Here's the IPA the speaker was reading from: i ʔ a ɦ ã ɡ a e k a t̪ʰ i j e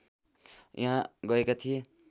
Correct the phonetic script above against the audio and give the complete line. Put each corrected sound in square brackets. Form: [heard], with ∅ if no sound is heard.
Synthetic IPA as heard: [j] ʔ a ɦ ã ɡ [ʌ] e k a t̪ʰ i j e